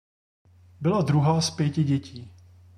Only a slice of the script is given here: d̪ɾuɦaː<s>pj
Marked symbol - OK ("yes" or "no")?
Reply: yes